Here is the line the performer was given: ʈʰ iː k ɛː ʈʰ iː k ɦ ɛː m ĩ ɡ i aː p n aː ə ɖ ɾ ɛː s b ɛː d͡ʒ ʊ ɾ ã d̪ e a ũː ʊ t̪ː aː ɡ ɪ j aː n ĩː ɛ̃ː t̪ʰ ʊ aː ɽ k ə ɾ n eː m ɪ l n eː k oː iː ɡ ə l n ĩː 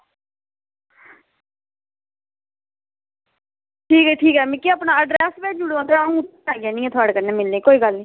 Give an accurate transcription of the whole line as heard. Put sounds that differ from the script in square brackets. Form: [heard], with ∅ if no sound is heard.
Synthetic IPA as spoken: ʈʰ iː k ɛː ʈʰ iː k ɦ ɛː m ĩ [k] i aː p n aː ə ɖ ɾ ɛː s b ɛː d͡ʒ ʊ [ɽ] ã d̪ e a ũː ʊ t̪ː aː ɡ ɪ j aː n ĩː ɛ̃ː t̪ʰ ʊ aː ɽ k ə ɾ n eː m ɪ l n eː k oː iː ɡ ə l n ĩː